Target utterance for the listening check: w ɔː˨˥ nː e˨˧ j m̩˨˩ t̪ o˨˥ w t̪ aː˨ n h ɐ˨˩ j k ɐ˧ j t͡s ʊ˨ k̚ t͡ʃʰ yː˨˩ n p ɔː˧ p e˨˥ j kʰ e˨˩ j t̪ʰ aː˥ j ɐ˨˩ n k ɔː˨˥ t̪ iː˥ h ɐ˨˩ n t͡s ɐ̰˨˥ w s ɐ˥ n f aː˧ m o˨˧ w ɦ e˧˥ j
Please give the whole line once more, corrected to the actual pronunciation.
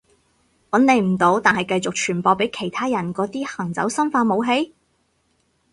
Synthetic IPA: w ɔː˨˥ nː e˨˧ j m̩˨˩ t̪ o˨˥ w t̪ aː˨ n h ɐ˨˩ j k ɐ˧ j t͡s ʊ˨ k̚ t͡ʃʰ yː˨˩ n p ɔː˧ p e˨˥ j kʰ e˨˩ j t̪ʰ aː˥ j ɐ˨˩ n k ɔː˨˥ t̪ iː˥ h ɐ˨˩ ŋ t͡s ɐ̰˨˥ w s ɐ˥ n f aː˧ m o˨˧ w ɦ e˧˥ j